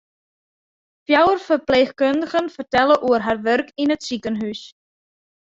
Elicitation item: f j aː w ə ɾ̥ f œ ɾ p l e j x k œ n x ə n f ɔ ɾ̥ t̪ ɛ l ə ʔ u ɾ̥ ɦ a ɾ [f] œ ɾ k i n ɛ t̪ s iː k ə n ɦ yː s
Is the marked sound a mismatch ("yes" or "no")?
yes